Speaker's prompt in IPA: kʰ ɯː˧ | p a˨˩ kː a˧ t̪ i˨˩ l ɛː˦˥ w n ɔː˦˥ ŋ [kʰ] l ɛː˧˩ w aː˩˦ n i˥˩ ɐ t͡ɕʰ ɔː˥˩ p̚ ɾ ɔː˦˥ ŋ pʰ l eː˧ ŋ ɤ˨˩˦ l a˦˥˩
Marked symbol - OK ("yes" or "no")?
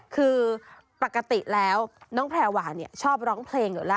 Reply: no